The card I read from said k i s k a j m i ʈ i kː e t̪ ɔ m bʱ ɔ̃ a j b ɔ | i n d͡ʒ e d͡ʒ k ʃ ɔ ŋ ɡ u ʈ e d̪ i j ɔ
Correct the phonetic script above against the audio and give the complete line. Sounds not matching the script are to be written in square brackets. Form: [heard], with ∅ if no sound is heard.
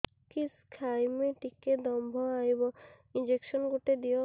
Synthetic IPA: k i s [kʰ] a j m [e] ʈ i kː e [d̪] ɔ m bʱ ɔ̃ a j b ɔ | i n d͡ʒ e [∅] k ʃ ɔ [n] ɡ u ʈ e d̪ i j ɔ